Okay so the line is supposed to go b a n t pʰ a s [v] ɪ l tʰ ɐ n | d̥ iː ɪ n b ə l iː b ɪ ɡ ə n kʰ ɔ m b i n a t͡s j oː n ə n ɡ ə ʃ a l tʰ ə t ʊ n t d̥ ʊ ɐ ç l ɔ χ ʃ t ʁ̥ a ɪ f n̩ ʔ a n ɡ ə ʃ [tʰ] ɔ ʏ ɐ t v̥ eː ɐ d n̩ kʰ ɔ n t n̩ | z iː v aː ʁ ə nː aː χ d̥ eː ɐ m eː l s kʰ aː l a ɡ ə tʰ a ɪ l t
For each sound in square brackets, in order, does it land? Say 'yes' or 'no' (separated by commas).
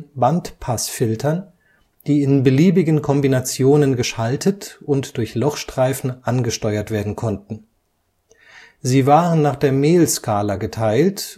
no, no